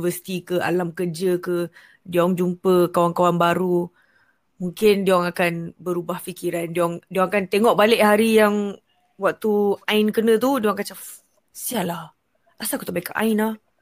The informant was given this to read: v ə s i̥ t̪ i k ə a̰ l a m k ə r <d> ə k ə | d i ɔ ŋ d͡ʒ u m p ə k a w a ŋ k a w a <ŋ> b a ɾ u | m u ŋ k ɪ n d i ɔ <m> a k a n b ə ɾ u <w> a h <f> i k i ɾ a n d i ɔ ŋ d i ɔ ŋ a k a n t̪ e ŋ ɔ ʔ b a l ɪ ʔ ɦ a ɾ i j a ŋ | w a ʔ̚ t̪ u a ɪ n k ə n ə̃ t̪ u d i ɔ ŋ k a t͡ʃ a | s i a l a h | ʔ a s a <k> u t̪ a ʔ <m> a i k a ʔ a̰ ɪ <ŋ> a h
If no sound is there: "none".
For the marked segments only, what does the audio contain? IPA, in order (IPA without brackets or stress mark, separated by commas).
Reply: d͡ʒ, n, ŋ, b, f, k, b, n